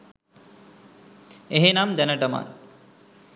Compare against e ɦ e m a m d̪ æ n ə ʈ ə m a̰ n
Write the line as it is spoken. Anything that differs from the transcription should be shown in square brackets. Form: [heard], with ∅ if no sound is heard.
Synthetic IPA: e ɦ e [n] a m d̪ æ n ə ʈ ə m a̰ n